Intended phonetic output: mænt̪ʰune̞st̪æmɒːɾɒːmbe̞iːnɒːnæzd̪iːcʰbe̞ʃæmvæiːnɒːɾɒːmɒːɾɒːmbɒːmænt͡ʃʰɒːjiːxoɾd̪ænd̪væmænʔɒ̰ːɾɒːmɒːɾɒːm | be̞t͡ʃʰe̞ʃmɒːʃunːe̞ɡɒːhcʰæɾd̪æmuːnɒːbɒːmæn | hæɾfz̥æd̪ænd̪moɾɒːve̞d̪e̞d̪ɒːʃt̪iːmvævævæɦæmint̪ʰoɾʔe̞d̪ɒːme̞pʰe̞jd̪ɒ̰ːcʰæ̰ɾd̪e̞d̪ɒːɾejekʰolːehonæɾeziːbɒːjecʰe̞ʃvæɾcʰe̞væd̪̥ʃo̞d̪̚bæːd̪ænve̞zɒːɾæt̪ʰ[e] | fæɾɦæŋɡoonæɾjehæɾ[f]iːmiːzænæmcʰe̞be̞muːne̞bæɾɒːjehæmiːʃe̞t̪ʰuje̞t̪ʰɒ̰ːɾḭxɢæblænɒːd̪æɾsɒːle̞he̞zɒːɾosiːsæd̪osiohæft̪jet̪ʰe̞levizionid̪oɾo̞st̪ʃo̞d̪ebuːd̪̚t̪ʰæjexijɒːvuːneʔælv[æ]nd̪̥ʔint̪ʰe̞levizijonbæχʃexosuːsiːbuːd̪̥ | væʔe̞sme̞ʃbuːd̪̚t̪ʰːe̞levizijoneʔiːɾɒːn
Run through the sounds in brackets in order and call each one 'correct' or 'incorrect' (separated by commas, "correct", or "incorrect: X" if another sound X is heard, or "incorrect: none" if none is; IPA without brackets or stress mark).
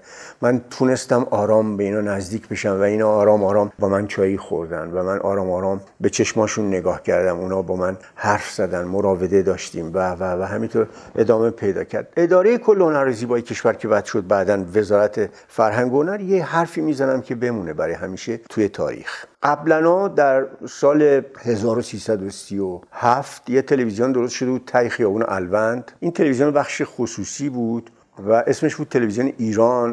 correct, correct, correct